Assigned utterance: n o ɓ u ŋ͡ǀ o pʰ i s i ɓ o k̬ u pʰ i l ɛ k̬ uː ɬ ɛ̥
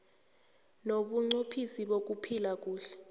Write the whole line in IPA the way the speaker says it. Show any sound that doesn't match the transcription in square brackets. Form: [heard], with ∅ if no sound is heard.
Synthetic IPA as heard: n o ɓ u ŋ͡ǀ o pʰ i s i ɓ o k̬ u pʰ i l [a] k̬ uː ɬ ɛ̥